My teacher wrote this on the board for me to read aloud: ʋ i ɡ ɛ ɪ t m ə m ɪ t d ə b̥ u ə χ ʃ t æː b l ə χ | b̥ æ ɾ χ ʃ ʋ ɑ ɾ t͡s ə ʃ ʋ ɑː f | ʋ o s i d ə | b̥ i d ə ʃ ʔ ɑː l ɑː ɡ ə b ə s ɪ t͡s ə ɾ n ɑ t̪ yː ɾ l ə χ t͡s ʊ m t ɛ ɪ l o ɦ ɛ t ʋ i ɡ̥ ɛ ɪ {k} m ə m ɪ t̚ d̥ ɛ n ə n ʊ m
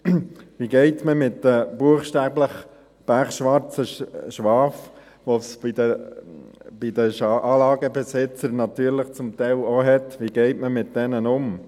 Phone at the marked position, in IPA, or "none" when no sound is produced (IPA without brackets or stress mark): t